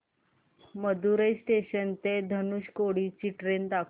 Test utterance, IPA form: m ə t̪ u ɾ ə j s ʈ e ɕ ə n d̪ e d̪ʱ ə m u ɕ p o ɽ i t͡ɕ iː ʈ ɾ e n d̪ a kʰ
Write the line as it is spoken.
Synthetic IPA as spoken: m ə d̪ u ɾ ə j s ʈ e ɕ ə n t̪ e d̪ʱ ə n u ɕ k o ɽ i t͡ɕ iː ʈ ɾ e n d̪ a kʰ